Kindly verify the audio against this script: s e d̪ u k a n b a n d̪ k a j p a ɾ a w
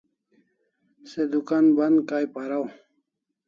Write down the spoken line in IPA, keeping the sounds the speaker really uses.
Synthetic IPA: s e d̪ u k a n b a n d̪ k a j p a ɾ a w